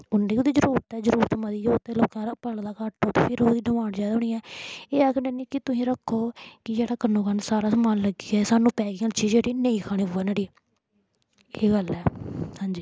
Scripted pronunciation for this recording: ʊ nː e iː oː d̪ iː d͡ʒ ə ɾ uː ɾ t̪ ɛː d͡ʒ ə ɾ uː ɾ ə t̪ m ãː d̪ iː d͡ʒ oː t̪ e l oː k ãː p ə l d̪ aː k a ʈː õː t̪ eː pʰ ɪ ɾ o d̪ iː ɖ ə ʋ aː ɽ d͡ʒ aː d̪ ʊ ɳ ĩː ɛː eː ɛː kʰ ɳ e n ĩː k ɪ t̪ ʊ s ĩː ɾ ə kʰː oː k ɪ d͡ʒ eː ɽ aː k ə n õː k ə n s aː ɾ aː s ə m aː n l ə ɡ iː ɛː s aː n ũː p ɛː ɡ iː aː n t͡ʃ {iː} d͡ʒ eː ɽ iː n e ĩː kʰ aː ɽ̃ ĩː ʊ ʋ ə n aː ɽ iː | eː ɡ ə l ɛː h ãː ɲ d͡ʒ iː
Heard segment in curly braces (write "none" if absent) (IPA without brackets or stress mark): iː